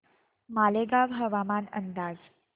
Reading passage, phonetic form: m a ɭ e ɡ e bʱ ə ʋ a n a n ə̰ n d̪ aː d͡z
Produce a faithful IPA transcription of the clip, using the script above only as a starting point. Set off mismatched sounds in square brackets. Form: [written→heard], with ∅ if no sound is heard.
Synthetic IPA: m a [ɭ→l] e ɡ [e→a] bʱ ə ʋ a [n→m] a n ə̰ n d̪ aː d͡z